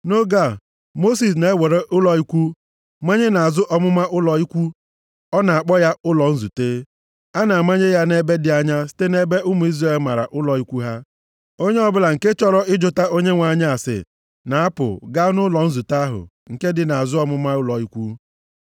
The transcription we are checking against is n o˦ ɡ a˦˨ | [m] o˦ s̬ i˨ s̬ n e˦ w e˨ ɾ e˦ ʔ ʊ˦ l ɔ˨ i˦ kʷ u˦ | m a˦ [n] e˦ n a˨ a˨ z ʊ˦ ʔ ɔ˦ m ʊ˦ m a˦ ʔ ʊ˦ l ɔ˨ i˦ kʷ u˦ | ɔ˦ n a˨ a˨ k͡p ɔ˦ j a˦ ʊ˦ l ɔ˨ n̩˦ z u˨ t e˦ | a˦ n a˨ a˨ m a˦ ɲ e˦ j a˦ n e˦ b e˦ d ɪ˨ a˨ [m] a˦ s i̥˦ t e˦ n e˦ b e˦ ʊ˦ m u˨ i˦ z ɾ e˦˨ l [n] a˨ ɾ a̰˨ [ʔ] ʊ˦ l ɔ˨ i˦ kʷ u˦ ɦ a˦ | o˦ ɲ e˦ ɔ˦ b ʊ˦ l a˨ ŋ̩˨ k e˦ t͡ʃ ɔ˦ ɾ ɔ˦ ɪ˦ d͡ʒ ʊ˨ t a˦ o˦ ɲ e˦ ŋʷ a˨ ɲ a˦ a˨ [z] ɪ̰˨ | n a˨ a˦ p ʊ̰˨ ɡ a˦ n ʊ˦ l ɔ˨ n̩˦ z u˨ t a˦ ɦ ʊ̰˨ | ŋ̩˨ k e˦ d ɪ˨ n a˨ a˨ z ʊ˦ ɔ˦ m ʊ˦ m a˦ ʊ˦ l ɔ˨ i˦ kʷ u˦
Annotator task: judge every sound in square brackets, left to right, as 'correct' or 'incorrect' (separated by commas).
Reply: correct, incorrect, incorrect, incorrect, correct, incorrect